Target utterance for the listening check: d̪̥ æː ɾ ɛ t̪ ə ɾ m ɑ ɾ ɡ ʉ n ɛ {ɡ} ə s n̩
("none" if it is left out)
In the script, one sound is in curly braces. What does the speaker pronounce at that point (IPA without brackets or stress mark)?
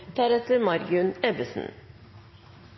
b